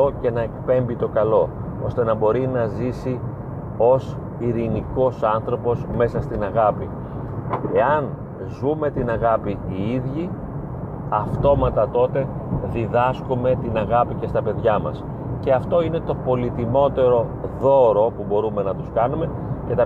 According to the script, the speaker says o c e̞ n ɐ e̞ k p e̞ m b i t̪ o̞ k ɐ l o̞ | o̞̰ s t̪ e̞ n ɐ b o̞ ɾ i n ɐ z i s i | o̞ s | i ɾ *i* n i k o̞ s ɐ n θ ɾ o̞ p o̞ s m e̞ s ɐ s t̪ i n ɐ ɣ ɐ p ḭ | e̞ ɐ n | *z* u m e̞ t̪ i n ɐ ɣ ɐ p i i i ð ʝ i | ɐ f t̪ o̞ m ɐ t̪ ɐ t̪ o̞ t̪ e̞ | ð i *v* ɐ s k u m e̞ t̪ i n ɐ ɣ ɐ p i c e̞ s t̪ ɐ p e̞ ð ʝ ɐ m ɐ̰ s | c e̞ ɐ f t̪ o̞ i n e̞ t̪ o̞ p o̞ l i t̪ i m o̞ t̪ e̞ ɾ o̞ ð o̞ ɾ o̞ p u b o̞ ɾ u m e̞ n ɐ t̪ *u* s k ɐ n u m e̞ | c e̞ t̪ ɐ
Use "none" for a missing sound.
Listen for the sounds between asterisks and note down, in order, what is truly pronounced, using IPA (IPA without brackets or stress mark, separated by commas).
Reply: i, z, ð, u